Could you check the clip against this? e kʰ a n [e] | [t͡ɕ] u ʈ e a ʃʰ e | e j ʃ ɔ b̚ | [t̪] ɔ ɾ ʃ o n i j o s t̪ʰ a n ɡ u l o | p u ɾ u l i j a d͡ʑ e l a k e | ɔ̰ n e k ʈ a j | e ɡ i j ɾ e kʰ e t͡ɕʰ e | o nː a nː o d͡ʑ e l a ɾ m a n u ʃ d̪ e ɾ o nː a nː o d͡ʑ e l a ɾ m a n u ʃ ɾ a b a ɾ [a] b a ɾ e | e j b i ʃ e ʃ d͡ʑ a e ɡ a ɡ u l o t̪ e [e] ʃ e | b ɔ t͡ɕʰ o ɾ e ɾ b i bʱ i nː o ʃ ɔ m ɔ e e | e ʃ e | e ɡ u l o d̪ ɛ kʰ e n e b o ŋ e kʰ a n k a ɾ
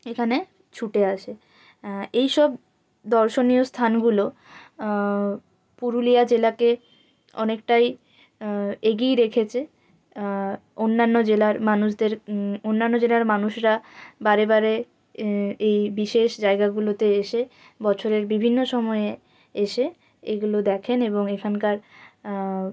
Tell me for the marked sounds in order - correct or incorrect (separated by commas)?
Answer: correct, incorrect, incorrect, incorrect, correct